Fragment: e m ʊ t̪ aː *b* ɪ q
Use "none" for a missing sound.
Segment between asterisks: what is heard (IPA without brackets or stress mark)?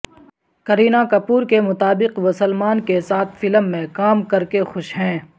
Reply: b